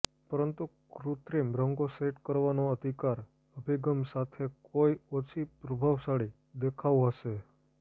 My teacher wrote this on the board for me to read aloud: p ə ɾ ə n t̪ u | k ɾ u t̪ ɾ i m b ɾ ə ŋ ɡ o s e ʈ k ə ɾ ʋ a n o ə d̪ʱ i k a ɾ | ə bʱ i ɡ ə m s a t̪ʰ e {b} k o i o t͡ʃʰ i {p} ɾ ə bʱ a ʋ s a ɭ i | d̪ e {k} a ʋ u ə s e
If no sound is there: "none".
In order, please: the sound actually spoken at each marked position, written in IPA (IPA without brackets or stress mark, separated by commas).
none, p, kʰ